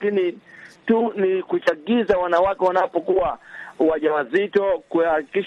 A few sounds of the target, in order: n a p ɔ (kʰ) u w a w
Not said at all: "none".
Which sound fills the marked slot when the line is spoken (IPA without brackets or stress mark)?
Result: k